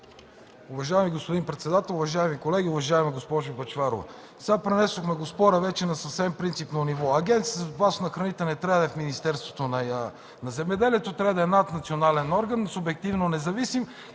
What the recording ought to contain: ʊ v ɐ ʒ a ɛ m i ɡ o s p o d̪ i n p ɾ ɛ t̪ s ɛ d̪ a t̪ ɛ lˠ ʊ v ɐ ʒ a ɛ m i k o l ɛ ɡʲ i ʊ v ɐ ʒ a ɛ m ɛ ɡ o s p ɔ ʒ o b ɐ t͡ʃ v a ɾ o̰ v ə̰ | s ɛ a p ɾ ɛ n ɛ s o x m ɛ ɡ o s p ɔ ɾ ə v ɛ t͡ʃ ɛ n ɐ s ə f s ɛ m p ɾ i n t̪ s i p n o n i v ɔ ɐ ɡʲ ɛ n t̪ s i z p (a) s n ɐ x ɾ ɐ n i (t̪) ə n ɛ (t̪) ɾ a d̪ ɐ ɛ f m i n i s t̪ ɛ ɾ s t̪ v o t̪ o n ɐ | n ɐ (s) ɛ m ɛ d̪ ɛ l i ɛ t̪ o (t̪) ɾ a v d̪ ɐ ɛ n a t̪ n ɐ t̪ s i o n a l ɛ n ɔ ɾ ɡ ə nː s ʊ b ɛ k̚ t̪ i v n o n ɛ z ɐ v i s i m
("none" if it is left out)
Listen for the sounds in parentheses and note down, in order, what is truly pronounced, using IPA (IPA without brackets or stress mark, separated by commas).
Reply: a, t̪, t̪, z, t̪